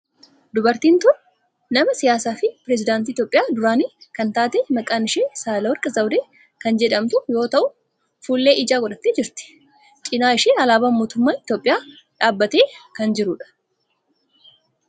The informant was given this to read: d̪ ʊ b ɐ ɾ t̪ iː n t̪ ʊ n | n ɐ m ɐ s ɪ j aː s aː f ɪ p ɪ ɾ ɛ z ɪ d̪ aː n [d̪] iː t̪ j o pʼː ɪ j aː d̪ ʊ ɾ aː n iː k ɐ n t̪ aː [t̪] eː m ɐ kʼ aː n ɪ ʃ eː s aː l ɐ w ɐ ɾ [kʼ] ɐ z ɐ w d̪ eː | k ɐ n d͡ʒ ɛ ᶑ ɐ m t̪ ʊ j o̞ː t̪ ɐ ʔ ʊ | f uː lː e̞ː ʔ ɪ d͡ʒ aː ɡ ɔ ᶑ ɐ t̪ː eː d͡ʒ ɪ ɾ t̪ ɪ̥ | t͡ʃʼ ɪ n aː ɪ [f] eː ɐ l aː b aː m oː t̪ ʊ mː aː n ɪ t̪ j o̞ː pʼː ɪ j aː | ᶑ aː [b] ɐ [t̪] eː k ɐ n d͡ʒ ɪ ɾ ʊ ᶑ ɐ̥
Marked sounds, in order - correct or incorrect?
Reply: incorrect: t̪, correct, correct, incorrect: ʃ, incorrect: bː, correct

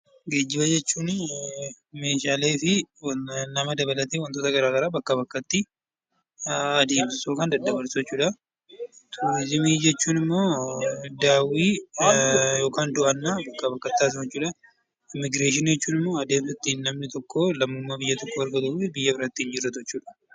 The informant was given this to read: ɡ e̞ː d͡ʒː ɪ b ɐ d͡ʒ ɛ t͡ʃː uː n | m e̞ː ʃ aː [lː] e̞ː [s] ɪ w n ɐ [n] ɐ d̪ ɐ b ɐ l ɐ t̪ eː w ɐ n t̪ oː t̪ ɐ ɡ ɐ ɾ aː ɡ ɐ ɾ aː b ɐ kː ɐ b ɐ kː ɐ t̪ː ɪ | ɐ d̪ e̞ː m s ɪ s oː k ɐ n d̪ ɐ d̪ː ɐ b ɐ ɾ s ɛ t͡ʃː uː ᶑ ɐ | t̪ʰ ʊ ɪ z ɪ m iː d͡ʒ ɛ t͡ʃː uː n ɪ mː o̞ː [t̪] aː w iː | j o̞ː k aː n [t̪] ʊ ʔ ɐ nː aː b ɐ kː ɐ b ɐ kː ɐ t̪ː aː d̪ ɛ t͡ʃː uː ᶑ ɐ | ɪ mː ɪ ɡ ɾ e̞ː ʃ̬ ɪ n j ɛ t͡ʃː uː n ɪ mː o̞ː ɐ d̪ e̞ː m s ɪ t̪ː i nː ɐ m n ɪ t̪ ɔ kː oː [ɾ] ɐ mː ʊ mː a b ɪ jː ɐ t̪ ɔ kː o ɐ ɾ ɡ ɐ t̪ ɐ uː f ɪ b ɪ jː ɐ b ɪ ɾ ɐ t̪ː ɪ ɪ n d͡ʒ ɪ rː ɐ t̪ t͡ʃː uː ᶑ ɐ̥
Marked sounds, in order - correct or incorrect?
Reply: incorrect: l, incorrect: f, incorrect: m, incorrect: d̪, incorrect: d̪, incorrect: l

